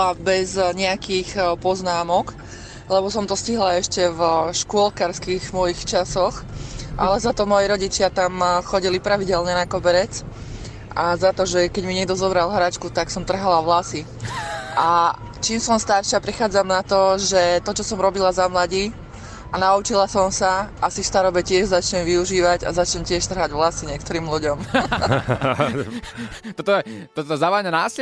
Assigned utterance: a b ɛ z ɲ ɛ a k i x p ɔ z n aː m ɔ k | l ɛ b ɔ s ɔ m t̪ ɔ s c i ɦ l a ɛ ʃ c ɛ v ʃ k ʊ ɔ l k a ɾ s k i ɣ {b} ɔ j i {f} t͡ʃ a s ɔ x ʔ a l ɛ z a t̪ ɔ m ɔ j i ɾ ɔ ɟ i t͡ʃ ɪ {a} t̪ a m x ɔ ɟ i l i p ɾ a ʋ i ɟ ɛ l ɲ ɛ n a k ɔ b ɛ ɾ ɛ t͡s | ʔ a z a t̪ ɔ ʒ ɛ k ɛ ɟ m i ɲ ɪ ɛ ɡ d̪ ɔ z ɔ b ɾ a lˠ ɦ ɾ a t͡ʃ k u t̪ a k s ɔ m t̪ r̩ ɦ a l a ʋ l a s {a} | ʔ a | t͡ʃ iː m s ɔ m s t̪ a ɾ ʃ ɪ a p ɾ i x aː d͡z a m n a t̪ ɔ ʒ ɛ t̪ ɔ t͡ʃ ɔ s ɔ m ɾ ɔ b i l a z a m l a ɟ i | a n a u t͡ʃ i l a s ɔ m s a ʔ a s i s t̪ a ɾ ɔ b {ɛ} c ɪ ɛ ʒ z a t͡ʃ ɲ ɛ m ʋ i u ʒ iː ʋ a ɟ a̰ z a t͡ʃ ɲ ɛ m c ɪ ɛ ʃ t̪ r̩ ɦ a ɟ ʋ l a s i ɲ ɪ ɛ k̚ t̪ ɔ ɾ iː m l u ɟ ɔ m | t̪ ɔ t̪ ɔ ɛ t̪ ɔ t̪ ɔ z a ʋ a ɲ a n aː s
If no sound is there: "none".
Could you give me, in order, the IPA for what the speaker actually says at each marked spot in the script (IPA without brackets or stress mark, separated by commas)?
m, x, a, i, ɛ